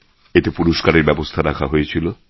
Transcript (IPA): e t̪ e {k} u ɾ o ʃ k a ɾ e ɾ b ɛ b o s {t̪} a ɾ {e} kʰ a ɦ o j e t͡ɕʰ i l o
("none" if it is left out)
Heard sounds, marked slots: p, t̪ʰ, a

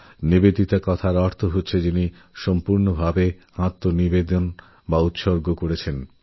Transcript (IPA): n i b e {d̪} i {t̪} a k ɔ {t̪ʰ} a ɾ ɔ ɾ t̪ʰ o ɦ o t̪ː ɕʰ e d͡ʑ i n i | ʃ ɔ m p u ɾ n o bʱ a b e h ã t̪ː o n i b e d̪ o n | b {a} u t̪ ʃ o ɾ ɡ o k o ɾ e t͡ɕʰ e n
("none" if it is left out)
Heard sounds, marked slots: d̪, t̪, t̪ʰ, a

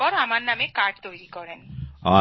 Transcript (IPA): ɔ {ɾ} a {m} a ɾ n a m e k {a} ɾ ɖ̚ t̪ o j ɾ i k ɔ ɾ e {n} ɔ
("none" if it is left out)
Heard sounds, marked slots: ɾ, m, a, n

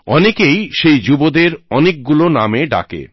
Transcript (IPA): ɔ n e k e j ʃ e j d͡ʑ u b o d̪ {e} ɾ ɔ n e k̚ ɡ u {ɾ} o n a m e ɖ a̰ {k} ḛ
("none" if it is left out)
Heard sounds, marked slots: e, l, k

